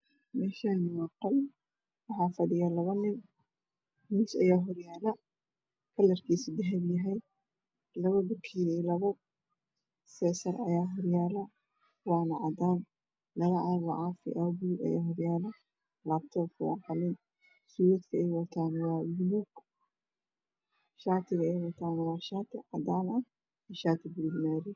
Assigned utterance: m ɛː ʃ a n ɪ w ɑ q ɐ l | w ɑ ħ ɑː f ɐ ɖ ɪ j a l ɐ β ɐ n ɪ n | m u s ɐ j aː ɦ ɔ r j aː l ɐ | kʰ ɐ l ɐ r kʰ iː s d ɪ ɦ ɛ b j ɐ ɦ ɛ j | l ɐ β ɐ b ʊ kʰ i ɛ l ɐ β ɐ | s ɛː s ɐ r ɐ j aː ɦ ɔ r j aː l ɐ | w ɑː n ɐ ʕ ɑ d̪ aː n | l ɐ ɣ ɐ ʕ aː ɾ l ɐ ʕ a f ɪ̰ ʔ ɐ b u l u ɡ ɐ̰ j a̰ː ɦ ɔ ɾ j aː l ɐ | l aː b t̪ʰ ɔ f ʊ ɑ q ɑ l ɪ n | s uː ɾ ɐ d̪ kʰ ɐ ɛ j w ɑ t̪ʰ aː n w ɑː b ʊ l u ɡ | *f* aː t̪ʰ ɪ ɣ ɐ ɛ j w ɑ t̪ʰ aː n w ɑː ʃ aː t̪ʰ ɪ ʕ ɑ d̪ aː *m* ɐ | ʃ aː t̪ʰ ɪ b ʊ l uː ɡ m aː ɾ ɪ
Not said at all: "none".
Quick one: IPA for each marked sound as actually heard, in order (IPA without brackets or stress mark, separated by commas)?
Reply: ʃ, n